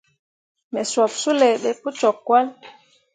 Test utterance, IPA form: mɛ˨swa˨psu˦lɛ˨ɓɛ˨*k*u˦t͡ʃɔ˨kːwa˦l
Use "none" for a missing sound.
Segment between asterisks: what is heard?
p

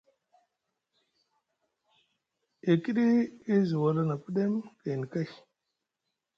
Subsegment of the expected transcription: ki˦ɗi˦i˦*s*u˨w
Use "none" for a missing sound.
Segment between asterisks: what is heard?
z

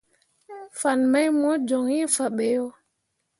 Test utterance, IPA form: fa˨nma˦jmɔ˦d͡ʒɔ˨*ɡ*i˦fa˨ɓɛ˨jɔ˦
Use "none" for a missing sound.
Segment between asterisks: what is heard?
ŋ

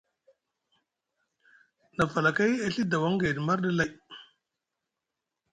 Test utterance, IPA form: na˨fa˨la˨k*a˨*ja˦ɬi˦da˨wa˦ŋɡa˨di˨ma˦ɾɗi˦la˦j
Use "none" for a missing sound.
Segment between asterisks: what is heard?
a˦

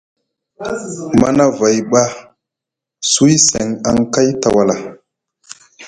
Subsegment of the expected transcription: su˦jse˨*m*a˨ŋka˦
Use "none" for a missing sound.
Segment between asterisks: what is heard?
ŋ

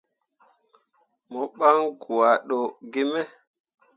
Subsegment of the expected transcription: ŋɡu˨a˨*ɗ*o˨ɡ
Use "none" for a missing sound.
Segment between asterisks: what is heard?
ɗ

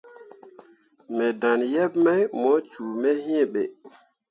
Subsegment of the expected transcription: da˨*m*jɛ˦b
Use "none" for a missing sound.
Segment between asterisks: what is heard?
n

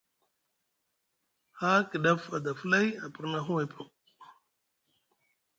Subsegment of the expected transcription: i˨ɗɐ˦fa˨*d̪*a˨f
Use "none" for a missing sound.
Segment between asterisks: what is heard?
d̪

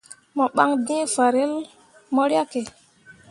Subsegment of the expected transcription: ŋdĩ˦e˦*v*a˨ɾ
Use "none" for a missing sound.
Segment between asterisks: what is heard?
f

